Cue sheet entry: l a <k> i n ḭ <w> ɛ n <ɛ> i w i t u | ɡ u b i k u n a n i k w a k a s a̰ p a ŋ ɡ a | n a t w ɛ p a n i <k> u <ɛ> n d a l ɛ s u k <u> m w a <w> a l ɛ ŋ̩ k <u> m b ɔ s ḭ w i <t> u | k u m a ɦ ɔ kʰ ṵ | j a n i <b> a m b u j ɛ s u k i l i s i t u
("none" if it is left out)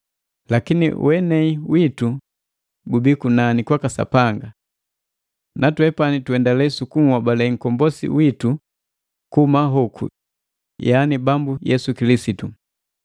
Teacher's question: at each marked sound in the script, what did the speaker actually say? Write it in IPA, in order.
k, w, ɛ, t, ɛ, u, b, ɔ, t, b

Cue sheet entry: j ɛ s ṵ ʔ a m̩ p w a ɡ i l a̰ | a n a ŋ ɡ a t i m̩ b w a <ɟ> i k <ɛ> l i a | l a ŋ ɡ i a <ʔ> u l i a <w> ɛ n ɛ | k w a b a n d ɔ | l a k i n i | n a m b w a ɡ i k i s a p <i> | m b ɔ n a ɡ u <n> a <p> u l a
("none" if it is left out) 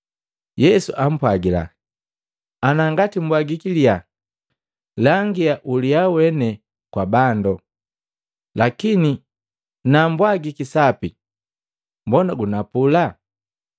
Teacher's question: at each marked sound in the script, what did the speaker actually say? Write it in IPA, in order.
ɡ, i, ʔ, w, i, n, p

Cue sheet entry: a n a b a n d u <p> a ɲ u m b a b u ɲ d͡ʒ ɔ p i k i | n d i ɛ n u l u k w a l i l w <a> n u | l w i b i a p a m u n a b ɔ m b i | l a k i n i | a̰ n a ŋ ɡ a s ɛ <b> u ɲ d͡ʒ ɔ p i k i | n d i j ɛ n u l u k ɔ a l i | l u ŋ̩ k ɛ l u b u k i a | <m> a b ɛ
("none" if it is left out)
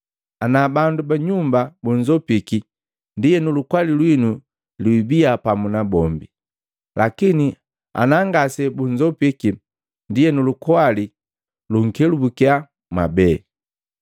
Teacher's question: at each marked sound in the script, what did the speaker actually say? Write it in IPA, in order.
b, i, b, m

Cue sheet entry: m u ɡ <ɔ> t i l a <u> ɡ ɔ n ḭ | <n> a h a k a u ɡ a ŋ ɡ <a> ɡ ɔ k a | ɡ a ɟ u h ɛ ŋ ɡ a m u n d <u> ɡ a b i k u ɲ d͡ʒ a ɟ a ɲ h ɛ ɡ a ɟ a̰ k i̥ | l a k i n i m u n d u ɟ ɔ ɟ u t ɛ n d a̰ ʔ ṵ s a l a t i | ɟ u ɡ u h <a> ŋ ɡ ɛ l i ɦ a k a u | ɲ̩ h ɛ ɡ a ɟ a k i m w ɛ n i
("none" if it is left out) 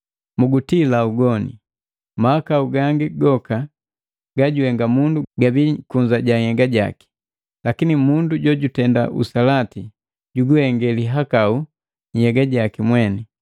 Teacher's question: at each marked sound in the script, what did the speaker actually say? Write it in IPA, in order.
u, u, m, i, u, ɛ

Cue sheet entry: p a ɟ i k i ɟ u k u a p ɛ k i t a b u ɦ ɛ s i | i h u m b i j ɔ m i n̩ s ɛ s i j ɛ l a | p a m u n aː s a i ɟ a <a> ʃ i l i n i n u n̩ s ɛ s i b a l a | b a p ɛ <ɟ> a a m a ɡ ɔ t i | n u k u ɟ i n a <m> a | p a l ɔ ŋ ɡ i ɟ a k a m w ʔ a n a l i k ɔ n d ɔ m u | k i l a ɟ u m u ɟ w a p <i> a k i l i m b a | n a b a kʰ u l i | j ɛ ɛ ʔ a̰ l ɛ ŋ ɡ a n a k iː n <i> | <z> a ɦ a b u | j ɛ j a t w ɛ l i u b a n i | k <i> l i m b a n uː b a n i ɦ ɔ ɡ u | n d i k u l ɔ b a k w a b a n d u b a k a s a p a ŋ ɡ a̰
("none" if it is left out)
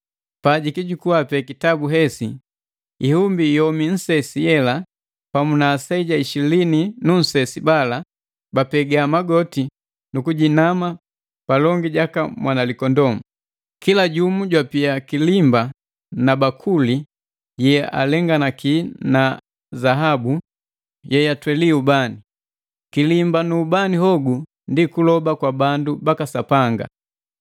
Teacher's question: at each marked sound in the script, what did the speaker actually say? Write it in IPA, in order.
i, ɡ, m, i, a, z, i

